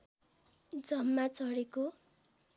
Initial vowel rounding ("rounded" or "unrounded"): unrounded